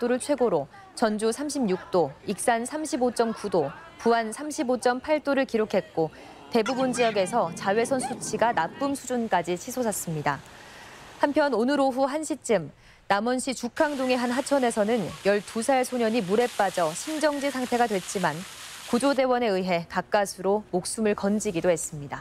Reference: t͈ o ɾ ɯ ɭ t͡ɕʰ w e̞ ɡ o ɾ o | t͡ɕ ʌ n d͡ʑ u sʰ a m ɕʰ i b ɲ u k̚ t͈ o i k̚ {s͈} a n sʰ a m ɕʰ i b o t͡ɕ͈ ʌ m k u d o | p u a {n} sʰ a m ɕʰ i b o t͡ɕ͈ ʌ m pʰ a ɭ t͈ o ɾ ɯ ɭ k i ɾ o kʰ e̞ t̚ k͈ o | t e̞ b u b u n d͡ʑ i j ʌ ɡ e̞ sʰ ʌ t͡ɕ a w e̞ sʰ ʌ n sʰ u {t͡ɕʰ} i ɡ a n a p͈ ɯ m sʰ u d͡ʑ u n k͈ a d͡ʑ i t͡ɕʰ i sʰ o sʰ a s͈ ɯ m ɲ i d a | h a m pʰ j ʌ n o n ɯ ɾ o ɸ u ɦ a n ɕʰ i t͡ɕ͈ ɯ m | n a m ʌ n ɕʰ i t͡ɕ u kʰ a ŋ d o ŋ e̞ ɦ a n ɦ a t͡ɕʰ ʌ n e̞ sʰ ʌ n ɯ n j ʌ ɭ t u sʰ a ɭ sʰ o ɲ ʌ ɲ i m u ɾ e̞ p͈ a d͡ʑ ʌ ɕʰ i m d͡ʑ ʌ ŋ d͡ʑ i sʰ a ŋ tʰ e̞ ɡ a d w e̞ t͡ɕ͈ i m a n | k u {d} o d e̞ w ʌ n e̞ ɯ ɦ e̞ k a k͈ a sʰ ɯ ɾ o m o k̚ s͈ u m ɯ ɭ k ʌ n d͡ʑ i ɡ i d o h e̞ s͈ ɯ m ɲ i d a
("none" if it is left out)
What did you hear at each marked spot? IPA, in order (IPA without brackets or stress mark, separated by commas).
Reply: s͈, n, t͡ɕʰ, d͡ʑ